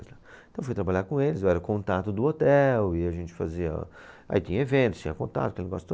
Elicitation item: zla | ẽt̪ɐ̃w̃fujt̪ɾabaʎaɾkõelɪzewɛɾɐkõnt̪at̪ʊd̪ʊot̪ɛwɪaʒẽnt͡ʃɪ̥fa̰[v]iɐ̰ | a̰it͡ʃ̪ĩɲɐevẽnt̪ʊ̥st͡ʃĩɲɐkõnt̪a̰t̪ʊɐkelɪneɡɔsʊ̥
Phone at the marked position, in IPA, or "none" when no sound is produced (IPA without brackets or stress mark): z